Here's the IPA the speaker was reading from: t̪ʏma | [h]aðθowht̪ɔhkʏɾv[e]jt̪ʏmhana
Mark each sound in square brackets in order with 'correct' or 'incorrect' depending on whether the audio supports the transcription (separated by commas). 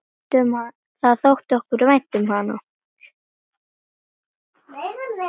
incorrect, incorrect